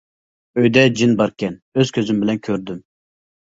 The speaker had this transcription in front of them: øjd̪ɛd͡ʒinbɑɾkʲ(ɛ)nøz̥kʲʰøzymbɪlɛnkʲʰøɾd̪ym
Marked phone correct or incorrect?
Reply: correct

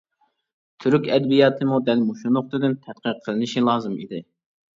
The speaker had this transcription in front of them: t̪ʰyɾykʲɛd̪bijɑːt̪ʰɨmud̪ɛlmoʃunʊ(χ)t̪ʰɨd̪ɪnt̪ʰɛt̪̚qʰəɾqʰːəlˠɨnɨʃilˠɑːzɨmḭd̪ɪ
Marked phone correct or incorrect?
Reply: correct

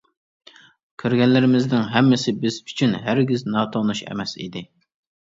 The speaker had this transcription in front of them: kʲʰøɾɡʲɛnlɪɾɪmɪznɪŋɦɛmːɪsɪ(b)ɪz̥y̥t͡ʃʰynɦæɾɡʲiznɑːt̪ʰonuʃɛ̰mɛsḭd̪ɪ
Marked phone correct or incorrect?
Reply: correct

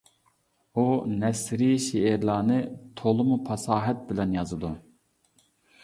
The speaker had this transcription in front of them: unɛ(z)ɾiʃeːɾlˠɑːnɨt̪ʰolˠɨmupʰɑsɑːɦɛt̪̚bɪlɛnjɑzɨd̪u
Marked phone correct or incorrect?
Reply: incorrect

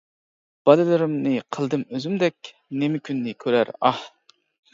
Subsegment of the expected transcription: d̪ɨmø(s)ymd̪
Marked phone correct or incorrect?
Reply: incorrect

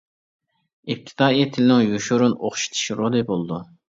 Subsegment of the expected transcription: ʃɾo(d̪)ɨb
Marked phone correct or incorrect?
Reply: correct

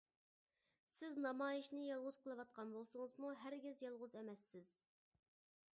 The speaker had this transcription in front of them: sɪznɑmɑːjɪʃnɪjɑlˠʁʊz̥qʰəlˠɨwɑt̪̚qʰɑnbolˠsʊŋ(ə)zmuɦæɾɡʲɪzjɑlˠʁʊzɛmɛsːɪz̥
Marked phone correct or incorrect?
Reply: correct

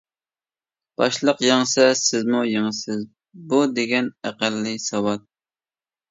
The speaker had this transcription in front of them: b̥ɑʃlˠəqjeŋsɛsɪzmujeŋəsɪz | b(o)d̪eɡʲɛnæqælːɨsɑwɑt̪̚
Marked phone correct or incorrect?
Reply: incorrect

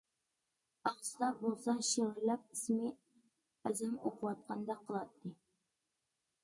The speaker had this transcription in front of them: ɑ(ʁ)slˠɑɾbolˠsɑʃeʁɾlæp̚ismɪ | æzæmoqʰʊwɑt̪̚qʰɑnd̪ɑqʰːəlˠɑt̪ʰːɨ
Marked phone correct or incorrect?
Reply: correct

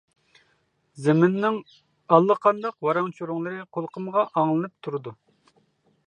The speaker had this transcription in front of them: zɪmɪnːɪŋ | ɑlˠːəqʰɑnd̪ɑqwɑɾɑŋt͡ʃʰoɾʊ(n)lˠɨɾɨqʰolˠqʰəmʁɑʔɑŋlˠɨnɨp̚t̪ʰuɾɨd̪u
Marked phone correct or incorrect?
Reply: incorrect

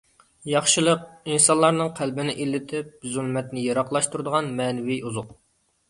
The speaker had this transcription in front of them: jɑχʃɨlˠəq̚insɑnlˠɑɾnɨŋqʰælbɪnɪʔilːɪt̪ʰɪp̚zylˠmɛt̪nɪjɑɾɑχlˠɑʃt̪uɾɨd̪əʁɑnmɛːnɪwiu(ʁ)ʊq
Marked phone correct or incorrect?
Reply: incorrect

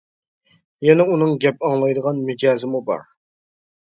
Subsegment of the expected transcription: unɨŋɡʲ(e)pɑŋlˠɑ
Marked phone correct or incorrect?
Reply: incorrect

